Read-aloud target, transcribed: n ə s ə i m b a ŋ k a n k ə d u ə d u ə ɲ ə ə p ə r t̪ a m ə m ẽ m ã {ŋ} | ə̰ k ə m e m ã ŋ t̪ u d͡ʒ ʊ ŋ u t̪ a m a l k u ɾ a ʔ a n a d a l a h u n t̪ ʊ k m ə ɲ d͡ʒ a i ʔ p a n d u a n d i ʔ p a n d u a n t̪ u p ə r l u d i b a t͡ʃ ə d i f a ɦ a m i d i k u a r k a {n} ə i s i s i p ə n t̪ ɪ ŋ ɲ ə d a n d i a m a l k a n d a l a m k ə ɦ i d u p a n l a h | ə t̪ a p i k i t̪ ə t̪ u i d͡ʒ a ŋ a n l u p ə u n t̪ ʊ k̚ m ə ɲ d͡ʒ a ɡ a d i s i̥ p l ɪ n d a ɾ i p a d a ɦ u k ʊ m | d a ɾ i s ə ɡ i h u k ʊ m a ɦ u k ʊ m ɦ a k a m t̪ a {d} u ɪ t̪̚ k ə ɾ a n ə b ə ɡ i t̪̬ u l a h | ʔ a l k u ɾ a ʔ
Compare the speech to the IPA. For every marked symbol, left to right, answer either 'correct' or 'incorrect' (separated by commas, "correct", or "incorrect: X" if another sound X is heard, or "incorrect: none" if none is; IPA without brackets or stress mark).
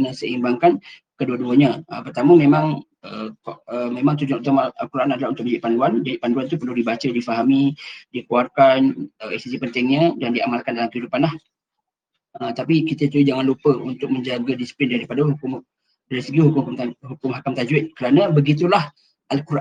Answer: correct, correct, incorrect: d͡ʒ